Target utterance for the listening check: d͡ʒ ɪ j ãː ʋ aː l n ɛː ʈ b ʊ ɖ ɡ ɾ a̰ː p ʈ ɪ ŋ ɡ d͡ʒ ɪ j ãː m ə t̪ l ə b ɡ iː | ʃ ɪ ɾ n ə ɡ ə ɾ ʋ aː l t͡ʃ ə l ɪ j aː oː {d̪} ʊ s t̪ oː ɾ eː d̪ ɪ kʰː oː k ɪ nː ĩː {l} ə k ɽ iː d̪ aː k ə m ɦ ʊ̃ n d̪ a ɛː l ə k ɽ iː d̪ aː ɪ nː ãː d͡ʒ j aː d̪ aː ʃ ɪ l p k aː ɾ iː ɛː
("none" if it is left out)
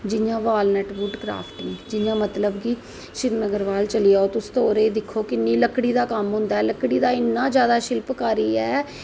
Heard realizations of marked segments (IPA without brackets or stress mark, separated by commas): t̪, l